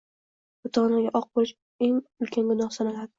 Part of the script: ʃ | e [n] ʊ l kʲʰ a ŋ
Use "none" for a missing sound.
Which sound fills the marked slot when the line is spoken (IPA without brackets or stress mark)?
ŋ